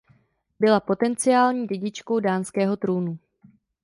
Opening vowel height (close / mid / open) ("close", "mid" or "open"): close